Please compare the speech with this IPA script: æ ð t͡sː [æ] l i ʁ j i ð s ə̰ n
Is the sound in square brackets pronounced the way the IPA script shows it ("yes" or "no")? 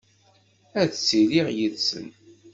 no